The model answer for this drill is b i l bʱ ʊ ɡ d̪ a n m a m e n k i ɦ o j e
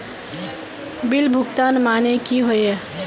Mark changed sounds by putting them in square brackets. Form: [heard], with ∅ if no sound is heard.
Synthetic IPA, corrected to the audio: b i l bʱ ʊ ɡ [t̪] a n m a [n] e [∅] k i ɦ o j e